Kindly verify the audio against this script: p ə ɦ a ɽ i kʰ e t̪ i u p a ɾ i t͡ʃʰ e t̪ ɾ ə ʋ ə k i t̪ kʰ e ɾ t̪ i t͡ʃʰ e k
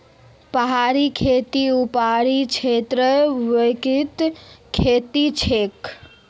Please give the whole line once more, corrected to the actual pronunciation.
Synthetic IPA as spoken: p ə ɦ a ɾ i kʰ e t̪ i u p a ɾ i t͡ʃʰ e t̪ ɾ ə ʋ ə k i t̪ kʰ e t̪ i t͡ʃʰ e k